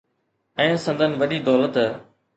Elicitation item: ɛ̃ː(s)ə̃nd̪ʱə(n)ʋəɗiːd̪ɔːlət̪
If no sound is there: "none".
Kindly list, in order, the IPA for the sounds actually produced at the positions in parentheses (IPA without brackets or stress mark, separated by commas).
s, n